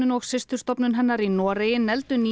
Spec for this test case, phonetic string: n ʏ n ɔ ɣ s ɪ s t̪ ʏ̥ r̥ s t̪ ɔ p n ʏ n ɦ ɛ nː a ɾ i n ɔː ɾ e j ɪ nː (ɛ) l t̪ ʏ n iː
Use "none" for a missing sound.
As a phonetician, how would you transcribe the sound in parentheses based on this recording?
ɛ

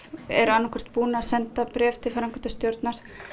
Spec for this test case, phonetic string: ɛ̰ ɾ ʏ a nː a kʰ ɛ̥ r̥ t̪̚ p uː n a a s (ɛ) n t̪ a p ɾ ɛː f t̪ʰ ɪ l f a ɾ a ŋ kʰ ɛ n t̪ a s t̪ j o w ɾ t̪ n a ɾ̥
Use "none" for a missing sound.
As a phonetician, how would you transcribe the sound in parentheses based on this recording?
ɛ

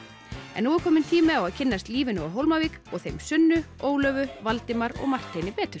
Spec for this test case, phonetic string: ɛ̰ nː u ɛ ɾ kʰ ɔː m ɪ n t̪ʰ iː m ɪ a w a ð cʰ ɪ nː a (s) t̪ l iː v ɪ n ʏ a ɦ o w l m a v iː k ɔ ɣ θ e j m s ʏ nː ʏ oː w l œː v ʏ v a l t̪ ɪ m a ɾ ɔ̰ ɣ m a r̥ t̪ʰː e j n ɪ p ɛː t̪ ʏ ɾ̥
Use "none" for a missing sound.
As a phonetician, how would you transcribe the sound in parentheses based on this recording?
s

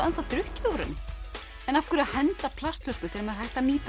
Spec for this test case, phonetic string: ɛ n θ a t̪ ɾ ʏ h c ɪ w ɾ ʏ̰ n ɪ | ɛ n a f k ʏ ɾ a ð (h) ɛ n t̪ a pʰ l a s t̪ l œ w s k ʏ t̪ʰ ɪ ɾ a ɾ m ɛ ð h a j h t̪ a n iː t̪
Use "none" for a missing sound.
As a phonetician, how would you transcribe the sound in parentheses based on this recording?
h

